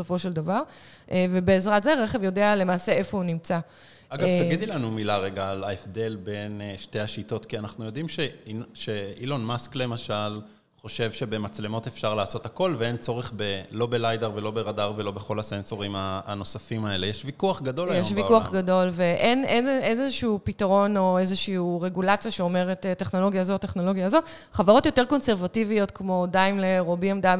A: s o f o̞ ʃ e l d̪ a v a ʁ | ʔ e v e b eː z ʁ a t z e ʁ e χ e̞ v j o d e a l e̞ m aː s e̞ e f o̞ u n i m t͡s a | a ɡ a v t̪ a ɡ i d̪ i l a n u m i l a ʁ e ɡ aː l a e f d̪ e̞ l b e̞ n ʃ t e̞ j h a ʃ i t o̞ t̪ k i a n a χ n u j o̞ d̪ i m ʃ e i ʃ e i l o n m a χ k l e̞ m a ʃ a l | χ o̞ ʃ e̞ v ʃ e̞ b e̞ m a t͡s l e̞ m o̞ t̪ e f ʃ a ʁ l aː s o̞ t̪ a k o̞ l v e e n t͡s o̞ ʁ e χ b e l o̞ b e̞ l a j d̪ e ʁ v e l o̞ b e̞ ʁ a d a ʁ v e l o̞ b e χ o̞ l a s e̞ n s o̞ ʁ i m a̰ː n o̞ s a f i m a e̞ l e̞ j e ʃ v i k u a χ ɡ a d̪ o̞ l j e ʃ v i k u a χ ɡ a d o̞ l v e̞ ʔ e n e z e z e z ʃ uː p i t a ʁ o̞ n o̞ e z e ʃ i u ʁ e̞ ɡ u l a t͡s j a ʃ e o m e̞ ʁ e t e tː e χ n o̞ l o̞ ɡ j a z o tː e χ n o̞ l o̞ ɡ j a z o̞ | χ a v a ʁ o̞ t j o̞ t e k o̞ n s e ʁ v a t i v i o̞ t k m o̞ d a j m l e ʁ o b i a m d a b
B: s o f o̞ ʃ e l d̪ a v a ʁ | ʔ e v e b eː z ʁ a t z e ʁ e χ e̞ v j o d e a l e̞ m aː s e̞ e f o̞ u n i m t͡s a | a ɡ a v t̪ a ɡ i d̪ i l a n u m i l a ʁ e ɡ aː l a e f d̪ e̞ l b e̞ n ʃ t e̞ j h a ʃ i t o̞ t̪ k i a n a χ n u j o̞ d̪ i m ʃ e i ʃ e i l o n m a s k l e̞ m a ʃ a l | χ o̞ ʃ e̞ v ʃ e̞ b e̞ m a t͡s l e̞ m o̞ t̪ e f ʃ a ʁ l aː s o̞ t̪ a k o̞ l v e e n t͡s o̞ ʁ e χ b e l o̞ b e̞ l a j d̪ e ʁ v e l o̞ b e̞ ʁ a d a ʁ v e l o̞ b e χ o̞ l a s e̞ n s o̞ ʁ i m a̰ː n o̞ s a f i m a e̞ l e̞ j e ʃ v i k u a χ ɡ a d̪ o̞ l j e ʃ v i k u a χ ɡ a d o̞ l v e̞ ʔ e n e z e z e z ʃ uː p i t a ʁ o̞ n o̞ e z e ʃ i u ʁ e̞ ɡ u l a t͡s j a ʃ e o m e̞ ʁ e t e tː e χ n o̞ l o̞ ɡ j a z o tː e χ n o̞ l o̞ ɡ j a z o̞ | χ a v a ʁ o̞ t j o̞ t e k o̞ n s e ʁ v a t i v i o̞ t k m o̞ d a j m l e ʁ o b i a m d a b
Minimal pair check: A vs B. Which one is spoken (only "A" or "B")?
B